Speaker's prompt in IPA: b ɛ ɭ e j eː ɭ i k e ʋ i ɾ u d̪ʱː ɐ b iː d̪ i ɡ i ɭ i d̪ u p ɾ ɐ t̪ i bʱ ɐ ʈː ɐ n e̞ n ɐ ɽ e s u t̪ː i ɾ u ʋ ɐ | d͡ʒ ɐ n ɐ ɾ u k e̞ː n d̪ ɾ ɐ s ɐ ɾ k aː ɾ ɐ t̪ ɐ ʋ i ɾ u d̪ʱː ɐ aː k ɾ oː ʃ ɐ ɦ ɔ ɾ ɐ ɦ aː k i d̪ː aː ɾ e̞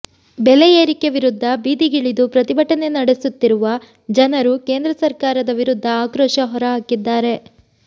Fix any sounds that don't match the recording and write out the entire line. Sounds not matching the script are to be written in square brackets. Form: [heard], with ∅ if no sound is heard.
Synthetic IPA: b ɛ [l] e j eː [ɾ] i k e ʋ i ɾ u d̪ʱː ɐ b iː d̪ i ɡ i ɭ i d̪ u p ɾ ɐ t̪ i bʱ ɐ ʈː ɐ n e̞ n ɐ ɽ e s u t̪ː i ɾ u ʋ ɐ | d͡ʒ ɐ n ɐ ɾ u k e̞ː n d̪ ɾ ɐ s ɐ ɾ k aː ɾ ɐ [d̪] ɐ ʋ i ɾ u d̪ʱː ɐ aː k ɾ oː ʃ ɐ ɦ ɔ ɾ ɐ ɦ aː k i d̪ː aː ɾ e̞